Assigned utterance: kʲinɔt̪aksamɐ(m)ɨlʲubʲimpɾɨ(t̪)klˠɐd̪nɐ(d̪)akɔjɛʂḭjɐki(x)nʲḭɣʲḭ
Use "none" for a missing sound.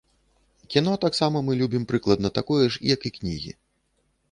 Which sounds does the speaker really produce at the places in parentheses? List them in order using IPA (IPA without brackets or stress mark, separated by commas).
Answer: m, none, t̪, k